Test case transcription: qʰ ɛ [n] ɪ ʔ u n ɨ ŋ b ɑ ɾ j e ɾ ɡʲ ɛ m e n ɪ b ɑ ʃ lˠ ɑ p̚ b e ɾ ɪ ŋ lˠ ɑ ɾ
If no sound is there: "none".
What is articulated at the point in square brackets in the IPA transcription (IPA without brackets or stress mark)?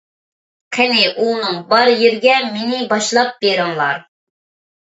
n